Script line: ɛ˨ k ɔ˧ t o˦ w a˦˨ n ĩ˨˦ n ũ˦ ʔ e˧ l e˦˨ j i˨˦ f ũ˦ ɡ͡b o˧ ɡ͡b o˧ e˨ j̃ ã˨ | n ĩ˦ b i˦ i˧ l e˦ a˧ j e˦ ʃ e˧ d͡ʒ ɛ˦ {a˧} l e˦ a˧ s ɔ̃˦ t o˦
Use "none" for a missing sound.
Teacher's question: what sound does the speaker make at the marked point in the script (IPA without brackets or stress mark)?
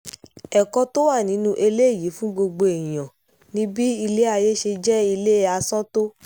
i˧